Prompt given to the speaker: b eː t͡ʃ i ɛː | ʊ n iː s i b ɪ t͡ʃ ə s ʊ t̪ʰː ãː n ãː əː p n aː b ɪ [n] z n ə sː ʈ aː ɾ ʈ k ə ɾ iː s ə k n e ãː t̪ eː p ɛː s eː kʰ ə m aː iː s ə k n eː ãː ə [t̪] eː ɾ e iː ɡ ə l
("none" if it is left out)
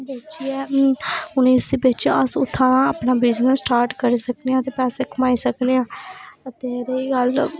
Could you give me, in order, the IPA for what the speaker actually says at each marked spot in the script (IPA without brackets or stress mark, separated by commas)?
none, t̪